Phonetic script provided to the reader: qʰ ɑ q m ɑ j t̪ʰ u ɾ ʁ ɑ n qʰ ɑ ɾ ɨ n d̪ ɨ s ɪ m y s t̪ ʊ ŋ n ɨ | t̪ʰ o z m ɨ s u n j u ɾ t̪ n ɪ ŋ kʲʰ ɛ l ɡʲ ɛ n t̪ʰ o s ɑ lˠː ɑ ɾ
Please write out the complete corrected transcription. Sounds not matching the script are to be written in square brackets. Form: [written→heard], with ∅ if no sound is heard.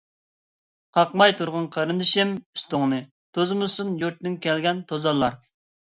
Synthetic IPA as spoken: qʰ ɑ q m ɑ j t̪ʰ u ɾ ʁ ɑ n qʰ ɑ ɾ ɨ n d̪ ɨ [s→ʃ] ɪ m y s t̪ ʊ ŋ n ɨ | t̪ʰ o z m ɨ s u n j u ɾ t̪ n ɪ ŋ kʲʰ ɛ l ɡʲ ɛ n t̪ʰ o [s→z] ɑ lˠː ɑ ɾ